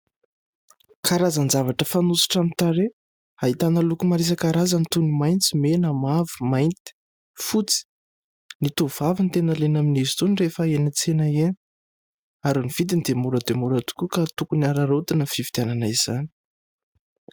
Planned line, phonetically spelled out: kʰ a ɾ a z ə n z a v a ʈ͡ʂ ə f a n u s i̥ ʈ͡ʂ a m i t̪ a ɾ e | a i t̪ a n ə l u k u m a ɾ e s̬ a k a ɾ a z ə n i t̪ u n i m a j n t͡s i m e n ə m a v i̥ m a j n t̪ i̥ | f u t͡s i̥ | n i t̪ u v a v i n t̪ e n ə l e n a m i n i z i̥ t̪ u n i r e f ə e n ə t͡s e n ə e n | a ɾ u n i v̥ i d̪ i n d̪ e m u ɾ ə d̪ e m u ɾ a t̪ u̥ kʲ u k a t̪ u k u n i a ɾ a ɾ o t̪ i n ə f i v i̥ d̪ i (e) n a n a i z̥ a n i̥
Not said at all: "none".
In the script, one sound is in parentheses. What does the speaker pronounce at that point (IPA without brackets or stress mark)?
a